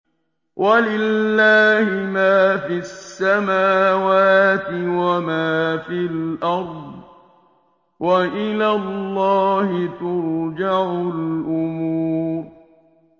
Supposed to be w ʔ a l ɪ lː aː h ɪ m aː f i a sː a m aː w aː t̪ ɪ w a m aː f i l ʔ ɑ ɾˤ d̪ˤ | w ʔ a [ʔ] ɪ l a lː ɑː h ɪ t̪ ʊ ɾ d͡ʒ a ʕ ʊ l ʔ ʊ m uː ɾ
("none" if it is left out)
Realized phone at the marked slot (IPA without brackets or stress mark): ʔ